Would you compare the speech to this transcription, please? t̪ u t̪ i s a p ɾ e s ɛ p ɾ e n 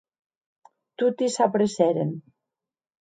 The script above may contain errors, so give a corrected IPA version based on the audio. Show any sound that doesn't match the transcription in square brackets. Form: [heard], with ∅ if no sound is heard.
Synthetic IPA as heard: t̪ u t̪ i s a p ɾ e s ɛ [∅] ɾ e n